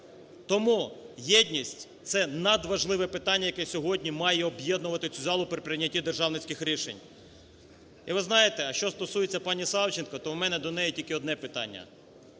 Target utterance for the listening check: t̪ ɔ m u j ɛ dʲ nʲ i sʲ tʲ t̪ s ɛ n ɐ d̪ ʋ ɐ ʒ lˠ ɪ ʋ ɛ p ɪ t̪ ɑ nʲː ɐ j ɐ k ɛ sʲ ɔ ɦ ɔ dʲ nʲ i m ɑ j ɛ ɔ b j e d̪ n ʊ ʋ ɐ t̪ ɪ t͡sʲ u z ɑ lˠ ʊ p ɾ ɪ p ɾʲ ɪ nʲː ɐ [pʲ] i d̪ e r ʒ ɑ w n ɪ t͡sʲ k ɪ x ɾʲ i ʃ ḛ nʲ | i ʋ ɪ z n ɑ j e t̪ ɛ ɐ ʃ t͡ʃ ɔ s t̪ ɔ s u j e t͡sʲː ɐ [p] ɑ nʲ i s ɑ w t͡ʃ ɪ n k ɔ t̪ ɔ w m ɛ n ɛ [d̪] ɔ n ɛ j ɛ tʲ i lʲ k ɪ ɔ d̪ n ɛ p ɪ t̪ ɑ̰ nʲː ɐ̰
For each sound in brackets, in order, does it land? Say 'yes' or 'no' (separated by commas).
no, yes, yes